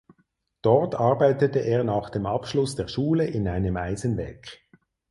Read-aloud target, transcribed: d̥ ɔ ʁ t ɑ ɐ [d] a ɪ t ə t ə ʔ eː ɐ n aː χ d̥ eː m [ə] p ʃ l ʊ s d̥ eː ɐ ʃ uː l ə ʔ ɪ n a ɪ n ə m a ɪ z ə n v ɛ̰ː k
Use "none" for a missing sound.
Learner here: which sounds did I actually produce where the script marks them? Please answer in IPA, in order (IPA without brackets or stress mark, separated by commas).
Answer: b, ɑ